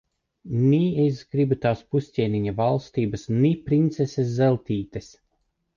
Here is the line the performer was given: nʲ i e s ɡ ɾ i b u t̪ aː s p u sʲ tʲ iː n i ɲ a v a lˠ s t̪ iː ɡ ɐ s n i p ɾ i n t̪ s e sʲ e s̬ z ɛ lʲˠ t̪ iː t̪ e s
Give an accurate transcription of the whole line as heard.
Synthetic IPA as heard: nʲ i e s ɡ ɾ i b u t̪ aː s p u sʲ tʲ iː n i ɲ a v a lˠ s t̪ iː b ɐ s n i p ɾ i n t̪ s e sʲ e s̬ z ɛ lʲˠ t̪ iː t̪ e s